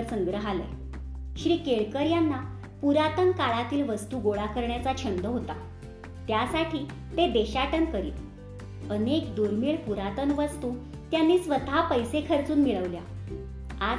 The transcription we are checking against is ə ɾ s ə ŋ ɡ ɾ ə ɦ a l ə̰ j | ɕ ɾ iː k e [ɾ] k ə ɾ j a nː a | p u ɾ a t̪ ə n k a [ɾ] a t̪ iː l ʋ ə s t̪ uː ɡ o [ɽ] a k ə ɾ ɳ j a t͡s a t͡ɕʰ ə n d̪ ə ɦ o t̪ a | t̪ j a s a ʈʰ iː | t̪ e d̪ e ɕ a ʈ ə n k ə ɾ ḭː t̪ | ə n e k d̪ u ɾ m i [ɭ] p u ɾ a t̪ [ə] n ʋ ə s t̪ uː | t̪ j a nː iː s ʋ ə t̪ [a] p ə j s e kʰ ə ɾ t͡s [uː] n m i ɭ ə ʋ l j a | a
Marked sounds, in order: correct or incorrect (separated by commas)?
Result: incorrect, incorrect, incorrect, correct, correct, correct, correct